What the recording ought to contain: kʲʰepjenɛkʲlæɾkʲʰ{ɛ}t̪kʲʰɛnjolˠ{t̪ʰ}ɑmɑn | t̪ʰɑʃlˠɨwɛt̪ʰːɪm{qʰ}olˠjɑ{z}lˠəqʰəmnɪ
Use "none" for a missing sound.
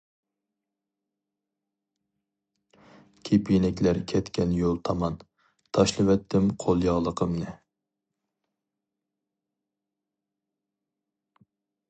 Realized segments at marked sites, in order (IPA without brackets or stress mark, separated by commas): ɛ, t̪ʰ, qʰ, ʁ